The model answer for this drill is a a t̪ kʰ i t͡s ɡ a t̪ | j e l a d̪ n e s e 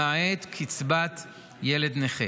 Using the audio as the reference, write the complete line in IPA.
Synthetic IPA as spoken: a e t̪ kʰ i t͡s b a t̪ | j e l e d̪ n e χ e